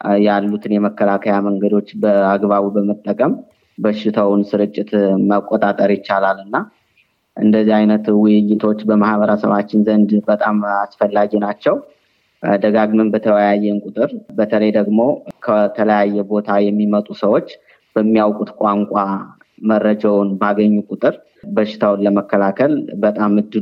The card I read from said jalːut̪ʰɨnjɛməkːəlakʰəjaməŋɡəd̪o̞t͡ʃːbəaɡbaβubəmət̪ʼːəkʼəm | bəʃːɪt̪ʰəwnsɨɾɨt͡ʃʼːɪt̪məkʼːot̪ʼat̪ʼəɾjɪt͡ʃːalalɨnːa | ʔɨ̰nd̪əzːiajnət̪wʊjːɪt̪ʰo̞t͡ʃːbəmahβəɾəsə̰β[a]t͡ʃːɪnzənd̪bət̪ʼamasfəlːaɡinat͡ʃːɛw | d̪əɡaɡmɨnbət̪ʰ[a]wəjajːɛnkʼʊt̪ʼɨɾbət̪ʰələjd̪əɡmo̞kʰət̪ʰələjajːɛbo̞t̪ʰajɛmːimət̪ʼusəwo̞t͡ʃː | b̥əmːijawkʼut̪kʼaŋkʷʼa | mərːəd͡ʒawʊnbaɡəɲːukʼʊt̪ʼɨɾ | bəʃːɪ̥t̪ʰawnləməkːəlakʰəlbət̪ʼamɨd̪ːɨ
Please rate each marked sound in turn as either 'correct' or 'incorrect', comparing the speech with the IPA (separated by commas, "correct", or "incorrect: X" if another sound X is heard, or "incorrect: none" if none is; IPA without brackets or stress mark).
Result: correct, incorrect: ə